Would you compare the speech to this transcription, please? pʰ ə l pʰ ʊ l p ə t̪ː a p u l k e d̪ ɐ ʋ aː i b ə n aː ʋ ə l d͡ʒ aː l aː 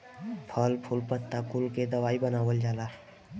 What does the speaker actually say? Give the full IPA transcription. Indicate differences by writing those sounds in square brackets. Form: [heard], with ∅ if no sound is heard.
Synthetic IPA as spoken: pʰ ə l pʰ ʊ l p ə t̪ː a [k] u l k e d̪ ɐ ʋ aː i b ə n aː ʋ ə l d͡ʒ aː l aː